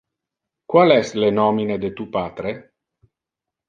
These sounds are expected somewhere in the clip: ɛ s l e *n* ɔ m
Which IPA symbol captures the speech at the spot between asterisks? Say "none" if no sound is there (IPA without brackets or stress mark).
n